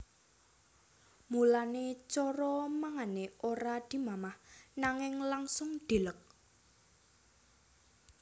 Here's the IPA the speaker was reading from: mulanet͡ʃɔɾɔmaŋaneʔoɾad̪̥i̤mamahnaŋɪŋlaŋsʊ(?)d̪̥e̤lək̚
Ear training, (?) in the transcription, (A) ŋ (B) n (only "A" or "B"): A